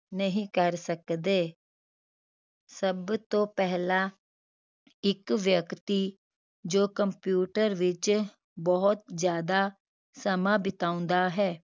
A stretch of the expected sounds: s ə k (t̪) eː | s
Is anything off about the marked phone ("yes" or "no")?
yes